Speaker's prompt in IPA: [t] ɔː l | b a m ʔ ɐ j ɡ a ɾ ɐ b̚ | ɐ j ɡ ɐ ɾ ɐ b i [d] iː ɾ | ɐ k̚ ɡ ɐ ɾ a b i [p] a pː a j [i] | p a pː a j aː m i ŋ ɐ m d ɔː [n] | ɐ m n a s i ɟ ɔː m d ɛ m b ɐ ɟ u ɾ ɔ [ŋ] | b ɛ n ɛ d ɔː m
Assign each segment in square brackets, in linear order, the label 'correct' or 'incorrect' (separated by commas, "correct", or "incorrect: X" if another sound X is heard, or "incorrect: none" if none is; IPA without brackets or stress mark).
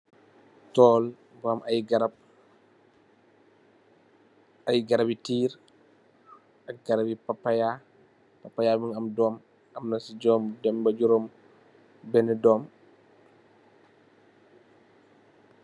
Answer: correct, incorrect: t, correct, incorrect: a, incorrect: m, incorrect: m